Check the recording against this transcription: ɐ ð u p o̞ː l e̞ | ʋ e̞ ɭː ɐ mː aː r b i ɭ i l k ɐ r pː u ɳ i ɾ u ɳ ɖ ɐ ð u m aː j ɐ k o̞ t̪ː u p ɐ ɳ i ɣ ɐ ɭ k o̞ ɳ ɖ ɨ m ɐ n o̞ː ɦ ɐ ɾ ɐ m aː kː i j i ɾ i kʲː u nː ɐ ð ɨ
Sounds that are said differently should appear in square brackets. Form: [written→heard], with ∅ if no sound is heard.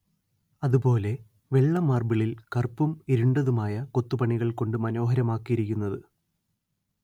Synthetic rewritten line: ɐ ð u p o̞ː l e̞ | ʋ e̞ ɭː ɐ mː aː r b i ɭ i l k ɐ r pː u [ɳ→m] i ɾ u ɳ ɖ ɐ ð u m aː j ɐ k o̞ t̪ː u p ɐ ɳ i ɣ ɐ ɭ k o̞ ɳ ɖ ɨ m ɐ n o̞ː ɦ ɐ ɾ ɐ m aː kː i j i ɾ i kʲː u nː ɐ ð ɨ